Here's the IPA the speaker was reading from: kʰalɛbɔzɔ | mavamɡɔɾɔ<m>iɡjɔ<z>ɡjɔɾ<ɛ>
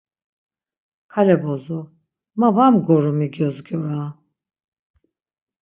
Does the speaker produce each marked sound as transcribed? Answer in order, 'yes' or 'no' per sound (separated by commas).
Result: yes, yes, no